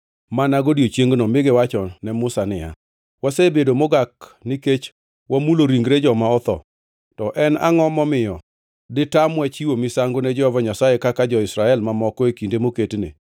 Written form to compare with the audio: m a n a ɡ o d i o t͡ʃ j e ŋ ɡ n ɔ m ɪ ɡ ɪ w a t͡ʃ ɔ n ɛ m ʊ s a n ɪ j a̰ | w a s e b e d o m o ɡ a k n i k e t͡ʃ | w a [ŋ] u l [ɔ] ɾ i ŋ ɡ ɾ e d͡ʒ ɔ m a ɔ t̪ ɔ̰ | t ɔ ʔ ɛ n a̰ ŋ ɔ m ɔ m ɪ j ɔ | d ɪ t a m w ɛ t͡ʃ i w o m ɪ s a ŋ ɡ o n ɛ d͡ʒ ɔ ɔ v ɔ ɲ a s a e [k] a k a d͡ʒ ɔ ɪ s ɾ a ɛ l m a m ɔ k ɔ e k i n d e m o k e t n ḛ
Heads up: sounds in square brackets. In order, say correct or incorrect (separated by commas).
incorrect, incorrect, correct